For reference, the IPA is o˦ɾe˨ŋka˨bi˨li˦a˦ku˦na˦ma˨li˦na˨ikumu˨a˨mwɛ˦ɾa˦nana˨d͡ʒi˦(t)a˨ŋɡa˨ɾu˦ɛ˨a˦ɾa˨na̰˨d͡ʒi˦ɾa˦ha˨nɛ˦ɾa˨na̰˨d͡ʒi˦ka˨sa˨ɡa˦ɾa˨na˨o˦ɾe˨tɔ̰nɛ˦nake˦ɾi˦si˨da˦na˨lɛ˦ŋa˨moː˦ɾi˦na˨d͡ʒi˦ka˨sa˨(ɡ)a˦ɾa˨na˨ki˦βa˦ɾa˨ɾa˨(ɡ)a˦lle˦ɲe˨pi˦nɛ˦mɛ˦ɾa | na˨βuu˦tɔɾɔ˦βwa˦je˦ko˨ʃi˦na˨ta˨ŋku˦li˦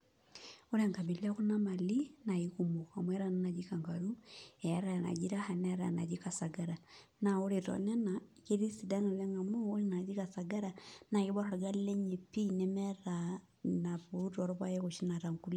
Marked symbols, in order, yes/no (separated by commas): no, yes, yes